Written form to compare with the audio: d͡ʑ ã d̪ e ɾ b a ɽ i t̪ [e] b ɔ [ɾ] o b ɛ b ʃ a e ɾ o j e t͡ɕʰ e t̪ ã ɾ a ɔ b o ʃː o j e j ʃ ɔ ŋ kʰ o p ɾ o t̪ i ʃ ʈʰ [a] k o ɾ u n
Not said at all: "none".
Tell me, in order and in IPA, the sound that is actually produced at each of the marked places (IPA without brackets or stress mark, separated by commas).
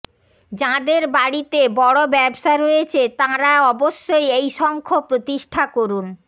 e, ɽ, a